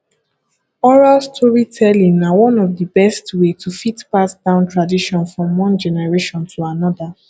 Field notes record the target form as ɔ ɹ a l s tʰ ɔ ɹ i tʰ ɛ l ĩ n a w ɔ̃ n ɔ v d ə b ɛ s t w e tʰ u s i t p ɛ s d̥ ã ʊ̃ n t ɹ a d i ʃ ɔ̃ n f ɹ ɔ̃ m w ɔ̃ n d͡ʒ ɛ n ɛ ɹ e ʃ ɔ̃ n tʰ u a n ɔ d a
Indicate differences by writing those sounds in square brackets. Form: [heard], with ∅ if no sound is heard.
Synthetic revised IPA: ɔ ɹ a l s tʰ ɔ ɹ i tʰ ɛ l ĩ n a w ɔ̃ n ɔ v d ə b ɛ s t w e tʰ u [f] i t p [a] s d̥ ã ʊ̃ n t ɹ a d i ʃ ɔ̃ n f ɹ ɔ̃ m w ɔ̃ n d͡ʒ ɛ n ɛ ɹ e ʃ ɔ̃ n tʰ u a n ɔ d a

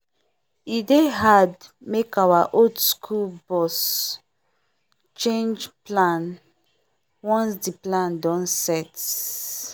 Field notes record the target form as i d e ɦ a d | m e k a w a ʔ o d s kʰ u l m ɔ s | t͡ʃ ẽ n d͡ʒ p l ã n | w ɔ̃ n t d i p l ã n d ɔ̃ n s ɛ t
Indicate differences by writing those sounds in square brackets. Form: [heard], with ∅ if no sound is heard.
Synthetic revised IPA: i d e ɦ a d | m e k a w a ʔ o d s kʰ u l [b] ɔ s | t͡ʃ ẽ n d͡ʒ p l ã n | w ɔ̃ n [s] d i p l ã n d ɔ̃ n s ɛ t

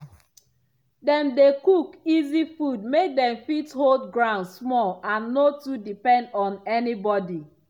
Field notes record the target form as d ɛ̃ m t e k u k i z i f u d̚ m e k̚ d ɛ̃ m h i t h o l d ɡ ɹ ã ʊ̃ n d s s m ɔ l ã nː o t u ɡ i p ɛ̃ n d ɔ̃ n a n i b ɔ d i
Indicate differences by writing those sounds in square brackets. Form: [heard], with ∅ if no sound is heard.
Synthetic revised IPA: d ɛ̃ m [d] e k u k i z i f u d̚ m e k̚ d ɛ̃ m [f] i t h o l d ɡ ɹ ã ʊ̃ n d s s m ɔ l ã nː o t u [d] i p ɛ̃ n d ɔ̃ n [ɛ] n i b ɔ d i

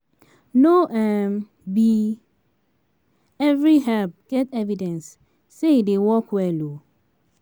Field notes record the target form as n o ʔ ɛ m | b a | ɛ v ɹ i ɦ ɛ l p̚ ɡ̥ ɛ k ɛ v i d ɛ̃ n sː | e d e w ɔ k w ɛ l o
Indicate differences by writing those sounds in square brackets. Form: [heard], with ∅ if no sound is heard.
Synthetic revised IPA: n o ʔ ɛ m | b [i] | ɛ v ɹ i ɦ ɛ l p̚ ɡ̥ ɛ [t] ɛ v i d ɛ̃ n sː | e d e w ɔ k w ɛ l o

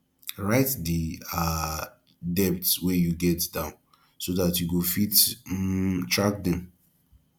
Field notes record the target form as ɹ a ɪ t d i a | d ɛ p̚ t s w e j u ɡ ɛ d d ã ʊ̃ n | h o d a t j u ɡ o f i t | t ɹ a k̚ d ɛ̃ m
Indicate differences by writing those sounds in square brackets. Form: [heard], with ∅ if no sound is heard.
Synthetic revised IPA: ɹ a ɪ t d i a | d ɛ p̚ t s w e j u ɡ ɛ [t] d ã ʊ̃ n | [s] o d a t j u ɡ o f i t | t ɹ a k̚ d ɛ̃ m

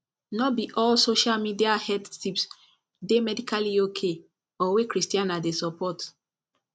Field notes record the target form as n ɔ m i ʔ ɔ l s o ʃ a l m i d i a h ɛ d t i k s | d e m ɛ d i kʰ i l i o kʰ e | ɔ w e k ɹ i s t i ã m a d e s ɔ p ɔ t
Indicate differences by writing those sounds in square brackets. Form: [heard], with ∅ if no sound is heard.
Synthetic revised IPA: n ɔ [b] i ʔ ɔ l s o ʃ a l m i d i a h ɛ d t i [p] s | d e m ɛ d i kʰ [a] l i o kʰ e | ɔ w e k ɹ i s t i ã [n] a d e s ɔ p ɔ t

